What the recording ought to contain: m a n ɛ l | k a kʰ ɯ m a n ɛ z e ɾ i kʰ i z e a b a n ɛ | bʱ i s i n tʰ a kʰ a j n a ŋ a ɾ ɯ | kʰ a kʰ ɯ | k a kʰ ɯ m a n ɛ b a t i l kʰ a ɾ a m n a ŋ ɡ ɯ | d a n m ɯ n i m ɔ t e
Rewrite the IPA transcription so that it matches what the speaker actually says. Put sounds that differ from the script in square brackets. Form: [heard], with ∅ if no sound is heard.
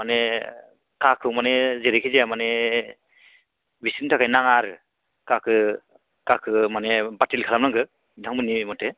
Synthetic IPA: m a n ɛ [∅] | k a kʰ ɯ m a n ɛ z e ɾ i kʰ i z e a [m] a n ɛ | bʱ i s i n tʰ a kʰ a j n a ŋ a ɾ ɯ | [k] a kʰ ɯ | k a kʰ ɯ m a n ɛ b a t i l kʰ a [l] a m n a ŋ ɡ ɯ | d a [ŋ] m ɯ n i m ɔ t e